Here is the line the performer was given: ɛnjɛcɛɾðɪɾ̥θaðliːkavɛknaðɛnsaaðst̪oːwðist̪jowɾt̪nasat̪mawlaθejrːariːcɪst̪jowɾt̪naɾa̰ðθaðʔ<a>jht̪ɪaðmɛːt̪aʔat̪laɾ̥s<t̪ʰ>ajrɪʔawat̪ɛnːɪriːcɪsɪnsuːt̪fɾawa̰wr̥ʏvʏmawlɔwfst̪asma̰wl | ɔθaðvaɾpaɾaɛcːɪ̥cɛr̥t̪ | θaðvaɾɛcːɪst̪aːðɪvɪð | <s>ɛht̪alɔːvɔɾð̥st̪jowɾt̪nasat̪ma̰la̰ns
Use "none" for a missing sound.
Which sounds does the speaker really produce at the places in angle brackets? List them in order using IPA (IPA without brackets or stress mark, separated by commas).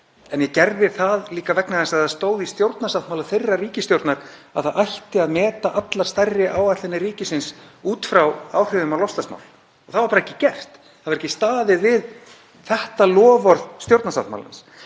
a, t̪, θ